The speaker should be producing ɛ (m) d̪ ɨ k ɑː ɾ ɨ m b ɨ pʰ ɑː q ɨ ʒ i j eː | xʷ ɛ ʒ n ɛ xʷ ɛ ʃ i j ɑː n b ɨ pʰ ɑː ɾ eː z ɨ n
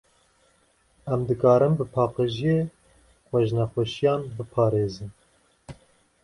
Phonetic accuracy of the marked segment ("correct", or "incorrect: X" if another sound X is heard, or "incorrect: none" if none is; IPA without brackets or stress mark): correct